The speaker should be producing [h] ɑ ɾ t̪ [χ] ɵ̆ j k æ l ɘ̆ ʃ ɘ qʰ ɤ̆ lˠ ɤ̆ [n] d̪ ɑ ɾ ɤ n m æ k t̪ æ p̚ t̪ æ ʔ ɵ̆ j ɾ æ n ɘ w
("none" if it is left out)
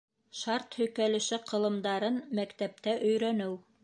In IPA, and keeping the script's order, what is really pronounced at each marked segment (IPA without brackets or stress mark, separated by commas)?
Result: ʃ, h, m